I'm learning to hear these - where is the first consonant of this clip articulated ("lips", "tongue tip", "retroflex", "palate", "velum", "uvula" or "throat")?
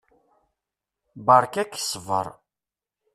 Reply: lips